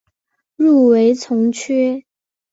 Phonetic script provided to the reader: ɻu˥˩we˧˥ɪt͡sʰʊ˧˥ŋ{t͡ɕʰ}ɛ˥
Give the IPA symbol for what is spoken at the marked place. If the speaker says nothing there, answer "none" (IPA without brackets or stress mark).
t͡ɕʰ